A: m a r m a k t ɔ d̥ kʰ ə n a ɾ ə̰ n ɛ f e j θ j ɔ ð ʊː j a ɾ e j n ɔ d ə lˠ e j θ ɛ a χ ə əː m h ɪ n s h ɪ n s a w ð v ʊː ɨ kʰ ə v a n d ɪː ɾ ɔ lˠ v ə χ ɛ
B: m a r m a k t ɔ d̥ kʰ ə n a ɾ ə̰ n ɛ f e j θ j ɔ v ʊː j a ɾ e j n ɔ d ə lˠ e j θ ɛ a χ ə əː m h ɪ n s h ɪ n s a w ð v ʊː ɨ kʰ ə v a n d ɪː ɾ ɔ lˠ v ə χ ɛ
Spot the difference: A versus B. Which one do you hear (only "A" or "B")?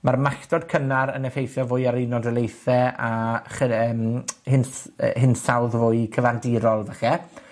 B